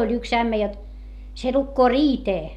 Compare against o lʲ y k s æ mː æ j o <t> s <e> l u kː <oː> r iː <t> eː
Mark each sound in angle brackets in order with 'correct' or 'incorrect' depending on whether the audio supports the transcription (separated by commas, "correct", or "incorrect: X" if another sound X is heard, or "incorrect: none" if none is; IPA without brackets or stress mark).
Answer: correct, correct, correct, correct